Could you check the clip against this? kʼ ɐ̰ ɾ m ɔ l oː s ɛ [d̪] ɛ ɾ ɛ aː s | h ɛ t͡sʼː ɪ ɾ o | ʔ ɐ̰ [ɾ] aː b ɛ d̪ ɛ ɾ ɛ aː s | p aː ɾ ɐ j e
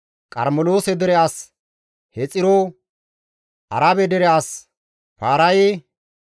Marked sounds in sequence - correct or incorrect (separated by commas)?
correct, correct